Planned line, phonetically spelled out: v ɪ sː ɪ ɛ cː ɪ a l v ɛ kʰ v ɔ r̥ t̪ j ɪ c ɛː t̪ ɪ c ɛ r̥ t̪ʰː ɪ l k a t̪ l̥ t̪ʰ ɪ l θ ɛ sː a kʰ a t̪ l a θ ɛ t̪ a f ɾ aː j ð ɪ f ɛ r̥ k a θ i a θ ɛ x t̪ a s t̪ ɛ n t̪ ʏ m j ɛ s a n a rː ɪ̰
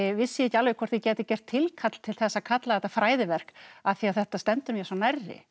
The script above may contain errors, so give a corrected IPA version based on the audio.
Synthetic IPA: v ɪ sː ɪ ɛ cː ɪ a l v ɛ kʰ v ɔ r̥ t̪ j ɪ c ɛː t̪ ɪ c ɛ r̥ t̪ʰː ɪ l kʰ a t̪ l̥ t̪ʰ ɪ l θ ɛ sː a kʰ a t̪ l a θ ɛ t̪ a f ɾ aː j ð ɪ v ɛ r̥ k a θ i a θ ɛ h t̪ a s t̪ ɛ n t̪ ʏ m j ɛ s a n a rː ɪ̰

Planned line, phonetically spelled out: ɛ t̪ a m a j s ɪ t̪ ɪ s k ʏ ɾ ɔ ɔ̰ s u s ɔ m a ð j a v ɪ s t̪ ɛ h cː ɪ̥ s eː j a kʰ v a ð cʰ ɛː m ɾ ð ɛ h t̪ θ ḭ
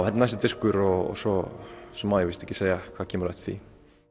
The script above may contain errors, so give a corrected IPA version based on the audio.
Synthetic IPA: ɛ t̪ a n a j s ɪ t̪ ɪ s k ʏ ɾ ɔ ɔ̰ s ɔ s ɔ m a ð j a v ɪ s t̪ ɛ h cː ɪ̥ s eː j a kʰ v a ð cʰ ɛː m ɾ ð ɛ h t̪ θ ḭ

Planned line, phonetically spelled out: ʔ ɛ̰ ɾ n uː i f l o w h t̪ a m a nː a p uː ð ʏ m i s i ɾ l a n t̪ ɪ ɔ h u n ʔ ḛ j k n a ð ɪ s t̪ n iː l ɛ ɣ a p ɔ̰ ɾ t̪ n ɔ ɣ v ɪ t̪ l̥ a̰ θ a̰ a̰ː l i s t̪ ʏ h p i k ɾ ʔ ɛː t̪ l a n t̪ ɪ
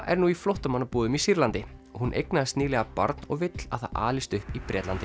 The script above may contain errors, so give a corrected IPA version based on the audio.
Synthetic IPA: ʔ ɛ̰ ɾ n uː i f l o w h t̪ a m a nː a p uː ð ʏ m i s i ɾ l a n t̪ ɪ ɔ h u n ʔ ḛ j k n a ð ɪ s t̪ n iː l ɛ ɣ a p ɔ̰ ɾ t̪ n ɔ ɣ v ɪ t̪ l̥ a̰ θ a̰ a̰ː l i s t̪ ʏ h p i p ɾ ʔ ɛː t̪ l a n t̪ ɪ

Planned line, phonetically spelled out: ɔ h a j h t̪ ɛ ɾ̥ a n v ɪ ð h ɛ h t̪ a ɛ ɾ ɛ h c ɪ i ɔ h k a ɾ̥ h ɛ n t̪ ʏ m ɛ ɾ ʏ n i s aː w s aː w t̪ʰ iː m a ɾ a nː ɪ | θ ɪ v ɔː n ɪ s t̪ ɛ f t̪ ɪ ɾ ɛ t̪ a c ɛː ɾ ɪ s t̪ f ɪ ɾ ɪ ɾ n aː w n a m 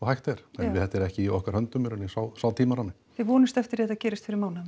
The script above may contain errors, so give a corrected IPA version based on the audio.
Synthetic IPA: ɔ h a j h t̪ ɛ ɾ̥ ɛ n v ɪ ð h ɛ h t̪ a ɛ ɾ ɛ h c ɪ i ɔ h k a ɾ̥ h œ n t̪ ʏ m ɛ ɾ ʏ n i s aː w s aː w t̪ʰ iː m a ɾ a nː ɪ | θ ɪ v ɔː n ɪ s t̪ ɛ f t̪ ɪ ɾ ɛ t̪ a c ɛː ɾ ɪ s t̪ f ɪ ɾ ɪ ɾ m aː w n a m

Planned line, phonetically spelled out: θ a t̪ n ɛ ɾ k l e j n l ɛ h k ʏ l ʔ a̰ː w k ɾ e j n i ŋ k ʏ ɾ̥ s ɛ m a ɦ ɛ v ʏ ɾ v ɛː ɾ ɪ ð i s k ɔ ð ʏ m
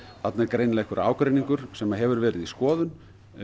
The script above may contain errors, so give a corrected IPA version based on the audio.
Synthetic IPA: θ a t̪ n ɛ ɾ k ɾ e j n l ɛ h k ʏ ɾ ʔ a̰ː w k ɾ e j n i ŋ k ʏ ɾ̥ s ɛ m a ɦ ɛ v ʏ ɾ v ɛː ɾ ɪ ð i s k ɔː ð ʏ n

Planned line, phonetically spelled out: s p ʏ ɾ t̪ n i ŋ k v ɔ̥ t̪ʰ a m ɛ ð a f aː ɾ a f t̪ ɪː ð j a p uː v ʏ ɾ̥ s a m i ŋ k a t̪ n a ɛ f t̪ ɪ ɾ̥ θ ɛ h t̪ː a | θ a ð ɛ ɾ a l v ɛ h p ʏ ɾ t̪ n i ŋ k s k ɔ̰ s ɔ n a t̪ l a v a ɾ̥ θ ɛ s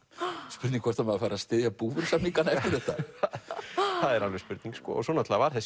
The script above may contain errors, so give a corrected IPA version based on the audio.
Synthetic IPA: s p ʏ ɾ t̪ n i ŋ k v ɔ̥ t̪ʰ a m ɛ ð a f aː ɾ a s t̪ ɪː ð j a p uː v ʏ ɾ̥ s a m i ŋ k a n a ɛ f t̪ ɪ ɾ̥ θ ɛ h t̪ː a | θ a ð ɛ ɾ a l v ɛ s p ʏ ɾ t̪ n i ŋ k s k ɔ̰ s ɔ n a t̪ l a v a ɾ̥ θ ɛ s

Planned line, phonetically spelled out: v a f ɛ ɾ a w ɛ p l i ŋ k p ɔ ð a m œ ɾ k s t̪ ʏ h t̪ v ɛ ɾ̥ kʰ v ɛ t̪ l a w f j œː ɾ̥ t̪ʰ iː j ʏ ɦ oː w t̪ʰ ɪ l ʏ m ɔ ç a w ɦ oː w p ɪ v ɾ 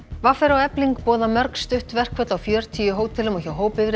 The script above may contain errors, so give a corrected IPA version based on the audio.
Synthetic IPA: v a f ɛ ɾ a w ɛ p l i ŋ k p ɔː ð a m œ ɾ k s t̪ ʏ h t̪ v ɛ r̥ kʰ v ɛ t̪ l a w f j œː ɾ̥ t̪ʰ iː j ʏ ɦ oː w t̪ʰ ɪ l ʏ m ɔ ç a w ɦ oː w p ɪ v ɾ

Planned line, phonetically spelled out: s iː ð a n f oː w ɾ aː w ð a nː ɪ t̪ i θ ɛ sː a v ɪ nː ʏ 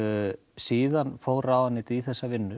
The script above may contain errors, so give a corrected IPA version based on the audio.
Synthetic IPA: s iː ð a n f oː w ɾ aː w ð a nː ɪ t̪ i θ ɛ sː a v ɪ nː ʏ

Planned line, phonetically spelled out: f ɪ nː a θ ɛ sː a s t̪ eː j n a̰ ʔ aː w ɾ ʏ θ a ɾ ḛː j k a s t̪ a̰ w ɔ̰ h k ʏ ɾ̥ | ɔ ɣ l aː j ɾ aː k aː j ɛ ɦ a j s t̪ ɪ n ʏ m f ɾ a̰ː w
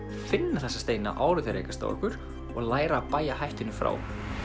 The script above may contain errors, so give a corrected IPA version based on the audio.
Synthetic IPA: f ɪ nː a θ ɛ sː a s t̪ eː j n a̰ ʔ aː w ɾ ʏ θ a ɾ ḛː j k a s t̪ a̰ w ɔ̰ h k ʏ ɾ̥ | ɔ ɣ l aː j ɾ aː p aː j a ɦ a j h t̪ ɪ n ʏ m f ɾ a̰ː w

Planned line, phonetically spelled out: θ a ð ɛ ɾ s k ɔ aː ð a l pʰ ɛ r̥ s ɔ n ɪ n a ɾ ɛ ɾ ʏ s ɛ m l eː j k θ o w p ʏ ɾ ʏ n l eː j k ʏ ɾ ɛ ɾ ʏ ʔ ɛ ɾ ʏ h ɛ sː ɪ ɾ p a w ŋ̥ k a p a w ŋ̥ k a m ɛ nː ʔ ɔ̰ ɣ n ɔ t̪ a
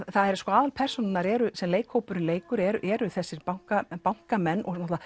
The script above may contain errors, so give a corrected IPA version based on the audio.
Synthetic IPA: θ a ð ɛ ɾ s k ɔ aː ð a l pʰ ɛ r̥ s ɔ n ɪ n a ɾ ɛ ɾ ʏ s ɛ m l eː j k h o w p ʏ ɾ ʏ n l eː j k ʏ ɾ ɛ ɾ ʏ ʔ ɛ ɾ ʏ θ ɛ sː ɪ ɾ p a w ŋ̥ k a p a w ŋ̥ k a m ɛ nː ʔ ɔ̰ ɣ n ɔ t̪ a

